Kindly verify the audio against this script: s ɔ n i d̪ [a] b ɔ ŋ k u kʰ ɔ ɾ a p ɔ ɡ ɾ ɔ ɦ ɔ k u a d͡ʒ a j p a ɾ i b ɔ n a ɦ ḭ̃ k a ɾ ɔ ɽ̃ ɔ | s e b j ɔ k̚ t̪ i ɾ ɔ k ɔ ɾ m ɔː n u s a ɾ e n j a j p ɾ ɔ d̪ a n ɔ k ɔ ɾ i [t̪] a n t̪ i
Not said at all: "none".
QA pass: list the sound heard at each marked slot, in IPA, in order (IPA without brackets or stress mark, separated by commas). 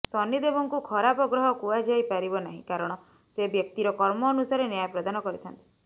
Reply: e, t̪ʰ